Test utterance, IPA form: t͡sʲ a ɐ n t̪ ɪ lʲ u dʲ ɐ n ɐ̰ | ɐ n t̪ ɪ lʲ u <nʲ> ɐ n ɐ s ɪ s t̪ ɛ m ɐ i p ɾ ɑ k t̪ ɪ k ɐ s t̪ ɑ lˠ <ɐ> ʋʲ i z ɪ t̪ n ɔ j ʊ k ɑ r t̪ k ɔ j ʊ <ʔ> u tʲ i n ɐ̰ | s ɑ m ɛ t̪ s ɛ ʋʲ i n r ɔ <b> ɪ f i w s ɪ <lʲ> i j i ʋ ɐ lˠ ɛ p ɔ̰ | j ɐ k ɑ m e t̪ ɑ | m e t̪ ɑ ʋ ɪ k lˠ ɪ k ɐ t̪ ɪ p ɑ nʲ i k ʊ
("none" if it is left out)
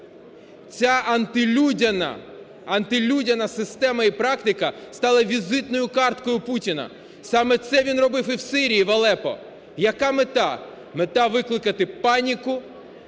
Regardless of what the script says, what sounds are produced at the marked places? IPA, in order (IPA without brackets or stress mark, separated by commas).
dʲ, ɐ, p, b, ɾʲ